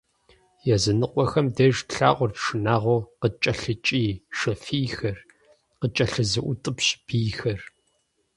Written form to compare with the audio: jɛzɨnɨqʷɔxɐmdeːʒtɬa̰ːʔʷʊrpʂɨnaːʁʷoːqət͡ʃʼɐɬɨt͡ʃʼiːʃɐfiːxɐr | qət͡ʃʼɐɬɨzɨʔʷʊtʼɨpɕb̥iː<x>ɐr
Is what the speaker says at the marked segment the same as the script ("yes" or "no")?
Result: yes